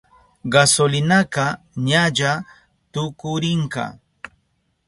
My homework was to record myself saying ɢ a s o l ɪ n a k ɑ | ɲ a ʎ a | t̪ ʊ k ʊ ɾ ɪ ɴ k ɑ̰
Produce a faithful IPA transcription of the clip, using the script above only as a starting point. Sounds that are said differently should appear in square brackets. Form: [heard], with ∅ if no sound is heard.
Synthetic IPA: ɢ a s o l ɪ n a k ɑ | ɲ a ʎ a | t̪ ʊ k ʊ ɾ ɪ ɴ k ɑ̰

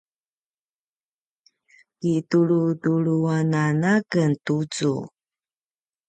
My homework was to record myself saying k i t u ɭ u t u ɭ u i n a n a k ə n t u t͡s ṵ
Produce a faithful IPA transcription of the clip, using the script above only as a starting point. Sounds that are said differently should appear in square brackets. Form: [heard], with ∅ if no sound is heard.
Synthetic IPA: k i t u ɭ u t u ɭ u [a] n a n a k ə n t u t͡s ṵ

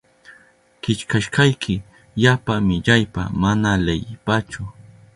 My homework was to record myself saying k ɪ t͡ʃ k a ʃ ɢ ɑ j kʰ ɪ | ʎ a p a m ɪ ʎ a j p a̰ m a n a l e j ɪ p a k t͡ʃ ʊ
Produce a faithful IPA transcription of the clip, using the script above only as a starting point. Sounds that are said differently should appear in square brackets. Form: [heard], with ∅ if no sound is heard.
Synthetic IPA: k ɪ t͡ʃ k a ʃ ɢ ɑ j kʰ ɪ | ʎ a p a m ɪ ʎ a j p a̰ m a n a l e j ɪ p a [∅] t͡ʃ ʊ

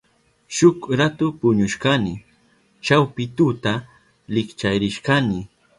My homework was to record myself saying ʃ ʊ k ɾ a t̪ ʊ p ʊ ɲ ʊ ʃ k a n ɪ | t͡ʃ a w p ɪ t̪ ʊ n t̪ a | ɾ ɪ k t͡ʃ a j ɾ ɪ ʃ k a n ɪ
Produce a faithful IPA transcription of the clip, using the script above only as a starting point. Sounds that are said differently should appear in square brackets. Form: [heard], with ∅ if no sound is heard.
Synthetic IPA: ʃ ʊ k ɾ a t̪ ʊ p ʊ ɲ ʊ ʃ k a n ɪ | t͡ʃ a w p ɪ t̪ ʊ [∅] t̪ a | [l] ɪ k t͡ʃ a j ɾ ɪ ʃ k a n ɪ

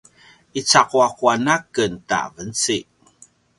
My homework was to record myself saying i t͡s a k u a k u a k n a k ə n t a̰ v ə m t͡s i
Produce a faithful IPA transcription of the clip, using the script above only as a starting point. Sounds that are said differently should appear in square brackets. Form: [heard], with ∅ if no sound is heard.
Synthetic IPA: i t͡s a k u a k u a [∅] n a k ə n t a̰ v ə [n] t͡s i

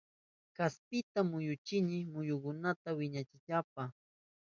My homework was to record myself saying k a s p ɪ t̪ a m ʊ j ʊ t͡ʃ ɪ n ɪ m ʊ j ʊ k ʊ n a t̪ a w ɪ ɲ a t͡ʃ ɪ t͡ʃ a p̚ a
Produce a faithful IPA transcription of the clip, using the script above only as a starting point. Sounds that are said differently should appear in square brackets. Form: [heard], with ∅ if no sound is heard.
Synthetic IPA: k a s p ɪ t̪ a m ʊ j ʊ t͡ʃ ɪ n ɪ m ʊ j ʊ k ʊ n a t̪ a w ɪ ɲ a t͡ʃ ɪ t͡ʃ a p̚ a

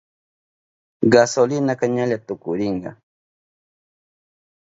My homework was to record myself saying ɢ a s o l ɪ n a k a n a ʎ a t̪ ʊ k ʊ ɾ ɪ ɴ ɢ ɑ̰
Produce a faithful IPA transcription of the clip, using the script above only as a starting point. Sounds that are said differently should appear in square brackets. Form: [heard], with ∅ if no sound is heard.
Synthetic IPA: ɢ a s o l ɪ n a k a [ɲ] a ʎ a t̪ ʊ k ʊ ɾ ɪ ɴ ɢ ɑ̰

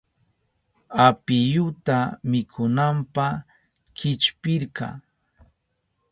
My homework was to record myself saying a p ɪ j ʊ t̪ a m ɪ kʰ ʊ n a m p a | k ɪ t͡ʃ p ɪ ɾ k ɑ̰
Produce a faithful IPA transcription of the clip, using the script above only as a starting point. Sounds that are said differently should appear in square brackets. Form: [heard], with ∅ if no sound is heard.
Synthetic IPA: a p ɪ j ʊ t̪ a m ɪ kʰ ʊ n a m p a | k ɪ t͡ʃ p ɪ ɾ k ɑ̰

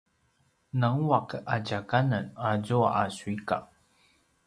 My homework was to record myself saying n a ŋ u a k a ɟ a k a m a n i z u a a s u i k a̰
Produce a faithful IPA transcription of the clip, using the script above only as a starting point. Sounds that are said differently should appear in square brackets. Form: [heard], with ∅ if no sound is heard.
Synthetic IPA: n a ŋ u a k a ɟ a k a [n] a n [a] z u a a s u i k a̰

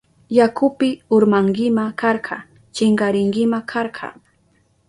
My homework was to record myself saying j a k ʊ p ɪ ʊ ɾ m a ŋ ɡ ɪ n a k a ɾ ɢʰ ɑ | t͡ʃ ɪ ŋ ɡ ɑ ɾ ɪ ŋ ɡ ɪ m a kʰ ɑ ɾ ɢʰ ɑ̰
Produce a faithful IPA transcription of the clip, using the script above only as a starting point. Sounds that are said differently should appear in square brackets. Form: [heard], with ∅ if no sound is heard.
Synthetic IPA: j a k ʊ p ɪ ʊ ɾ m a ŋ ɡ ɪ [m] a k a ɾ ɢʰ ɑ | t͡ʃ ɪ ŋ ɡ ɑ ɾ ɪ ŋ ɡ ɪ m a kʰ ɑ ɾ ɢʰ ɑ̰

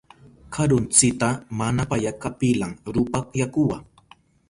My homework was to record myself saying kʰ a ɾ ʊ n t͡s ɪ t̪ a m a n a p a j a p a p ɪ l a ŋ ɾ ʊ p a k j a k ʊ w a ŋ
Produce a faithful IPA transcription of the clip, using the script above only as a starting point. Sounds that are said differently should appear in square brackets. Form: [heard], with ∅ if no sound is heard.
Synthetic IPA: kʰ a ɾ ʊ n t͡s ɪ t̪ a m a n a p a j a [k] a p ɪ l a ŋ ɾ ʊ p a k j a k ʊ w a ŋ

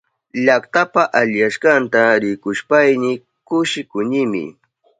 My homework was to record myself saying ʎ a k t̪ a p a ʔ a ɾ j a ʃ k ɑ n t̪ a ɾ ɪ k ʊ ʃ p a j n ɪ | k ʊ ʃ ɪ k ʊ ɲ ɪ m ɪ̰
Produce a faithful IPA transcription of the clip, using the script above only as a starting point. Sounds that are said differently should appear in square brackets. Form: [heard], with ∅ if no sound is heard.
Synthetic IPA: ʎ a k t̪ a p a ʔ a [ʎ] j a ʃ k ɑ n t̪ a ɾ ɪ k ʊ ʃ p a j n ɪ | k ʊ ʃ ɪ k ʊ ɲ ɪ m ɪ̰

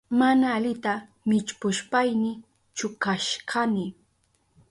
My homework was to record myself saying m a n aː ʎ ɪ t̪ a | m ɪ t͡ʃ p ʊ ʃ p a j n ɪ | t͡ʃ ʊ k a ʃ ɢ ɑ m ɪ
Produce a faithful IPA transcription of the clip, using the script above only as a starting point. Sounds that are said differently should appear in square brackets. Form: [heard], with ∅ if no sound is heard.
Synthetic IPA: m a n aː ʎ ɪ t̪ a | m ɪ t͡ʃ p ʊ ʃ p a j n ɪ | t͡ʃ ʊ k a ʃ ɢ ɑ [n] ɪ

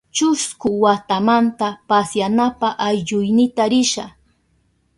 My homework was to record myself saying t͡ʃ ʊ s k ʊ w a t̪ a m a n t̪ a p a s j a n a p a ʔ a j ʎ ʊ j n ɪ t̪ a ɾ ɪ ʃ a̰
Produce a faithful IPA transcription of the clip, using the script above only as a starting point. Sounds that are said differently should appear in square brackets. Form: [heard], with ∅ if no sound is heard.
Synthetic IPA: t͡ʃ ʊ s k ʊ w a t̪ a m a n t̪ a p a s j a n a p a ʔ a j ʎ ʊ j n ɪ t̪ a ɾ ɪ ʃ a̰

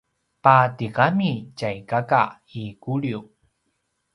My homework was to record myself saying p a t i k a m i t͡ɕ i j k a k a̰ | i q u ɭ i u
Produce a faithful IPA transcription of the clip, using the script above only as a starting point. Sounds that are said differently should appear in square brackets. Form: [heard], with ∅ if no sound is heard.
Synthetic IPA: p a t i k a m i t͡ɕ [a] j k a k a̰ | i [k] u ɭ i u

